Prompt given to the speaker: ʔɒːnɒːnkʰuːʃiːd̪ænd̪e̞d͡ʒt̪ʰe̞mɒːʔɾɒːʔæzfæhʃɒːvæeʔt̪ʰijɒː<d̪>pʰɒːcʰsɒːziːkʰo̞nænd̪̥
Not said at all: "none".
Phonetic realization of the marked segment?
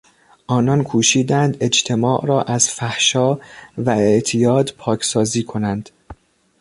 d̪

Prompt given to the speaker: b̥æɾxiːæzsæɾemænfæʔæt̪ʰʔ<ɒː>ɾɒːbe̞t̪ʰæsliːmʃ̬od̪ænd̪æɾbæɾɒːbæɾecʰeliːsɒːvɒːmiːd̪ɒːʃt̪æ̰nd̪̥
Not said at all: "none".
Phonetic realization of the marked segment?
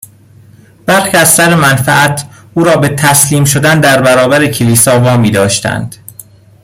uː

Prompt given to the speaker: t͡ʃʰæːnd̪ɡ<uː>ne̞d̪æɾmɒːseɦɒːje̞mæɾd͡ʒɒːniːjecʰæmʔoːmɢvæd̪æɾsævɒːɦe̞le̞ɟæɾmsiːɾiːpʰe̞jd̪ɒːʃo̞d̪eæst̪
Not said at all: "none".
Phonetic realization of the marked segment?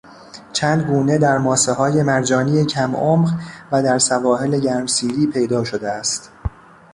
uː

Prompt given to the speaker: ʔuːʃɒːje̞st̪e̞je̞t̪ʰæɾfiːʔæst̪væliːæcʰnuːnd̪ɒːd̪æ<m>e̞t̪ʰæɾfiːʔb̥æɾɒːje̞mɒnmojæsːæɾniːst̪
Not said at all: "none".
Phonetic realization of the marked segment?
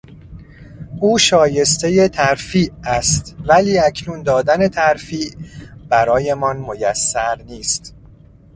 n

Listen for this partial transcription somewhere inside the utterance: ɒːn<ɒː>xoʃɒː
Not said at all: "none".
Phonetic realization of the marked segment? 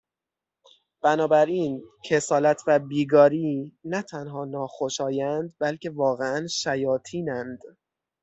ɒː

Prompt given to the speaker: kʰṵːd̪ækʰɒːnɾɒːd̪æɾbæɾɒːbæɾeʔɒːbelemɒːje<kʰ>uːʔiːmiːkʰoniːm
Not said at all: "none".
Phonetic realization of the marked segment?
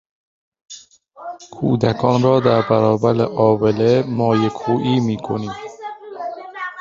kʰ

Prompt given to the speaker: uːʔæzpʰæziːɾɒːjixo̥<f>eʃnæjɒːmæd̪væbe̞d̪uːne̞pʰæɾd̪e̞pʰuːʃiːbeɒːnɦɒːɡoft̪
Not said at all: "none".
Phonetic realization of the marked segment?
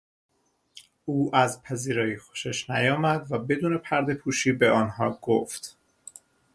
ʃ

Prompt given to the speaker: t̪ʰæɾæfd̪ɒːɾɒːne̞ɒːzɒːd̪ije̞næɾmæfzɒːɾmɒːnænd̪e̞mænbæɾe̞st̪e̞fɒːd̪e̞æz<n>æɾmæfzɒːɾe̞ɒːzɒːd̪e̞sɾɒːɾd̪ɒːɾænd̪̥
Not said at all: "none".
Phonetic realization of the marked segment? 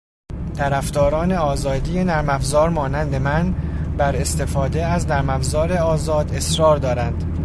n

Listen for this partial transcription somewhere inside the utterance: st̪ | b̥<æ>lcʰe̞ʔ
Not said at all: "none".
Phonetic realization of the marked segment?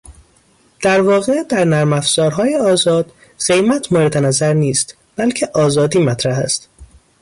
æ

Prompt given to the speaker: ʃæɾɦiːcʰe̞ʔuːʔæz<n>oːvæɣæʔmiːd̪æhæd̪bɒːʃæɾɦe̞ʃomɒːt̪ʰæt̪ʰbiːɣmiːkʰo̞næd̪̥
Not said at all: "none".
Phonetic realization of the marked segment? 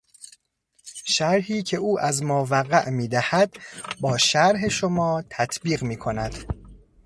m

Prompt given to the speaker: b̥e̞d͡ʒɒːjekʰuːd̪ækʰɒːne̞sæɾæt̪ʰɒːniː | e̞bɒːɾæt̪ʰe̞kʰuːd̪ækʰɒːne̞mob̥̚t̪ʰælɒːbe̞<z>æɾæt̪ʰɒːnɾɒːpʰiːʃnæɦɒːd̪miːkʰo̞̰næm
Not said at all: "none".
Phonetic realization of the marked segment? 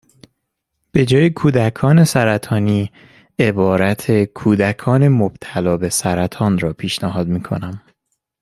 s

